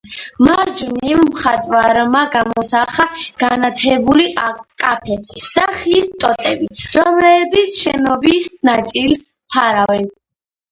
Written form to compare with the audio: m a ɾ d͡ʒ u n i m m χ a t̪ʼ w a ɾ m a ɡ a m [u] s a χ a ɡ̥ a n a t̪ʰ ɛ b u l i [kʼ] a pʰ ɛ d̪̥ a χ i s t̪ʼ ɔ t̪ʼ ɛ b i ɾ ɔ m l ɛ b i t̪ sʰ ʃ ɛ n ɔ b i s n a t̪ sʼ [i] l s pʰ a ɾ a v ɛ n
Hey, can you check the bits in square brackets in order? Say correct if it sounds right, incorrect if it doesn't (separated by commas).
incorrect, correct, correct